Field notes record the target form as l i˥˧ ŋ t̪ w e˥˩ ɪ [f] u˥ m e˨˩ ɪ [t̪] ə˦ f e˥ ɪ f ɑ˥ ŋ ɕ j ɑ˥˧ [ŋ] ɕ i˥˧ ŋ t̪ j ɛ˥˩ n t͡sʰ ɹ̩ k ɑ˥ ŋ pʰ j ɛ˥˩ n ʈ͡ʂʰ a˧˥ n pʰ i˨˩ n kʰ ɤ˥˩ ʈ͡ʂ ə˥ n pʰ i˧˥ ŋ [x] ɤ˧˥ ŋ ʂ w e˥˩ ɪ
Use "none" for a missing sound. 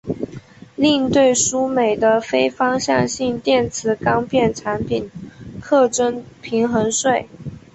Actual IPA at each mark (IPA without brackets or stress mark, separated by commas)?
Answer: ʂ, d̪, ŋ, x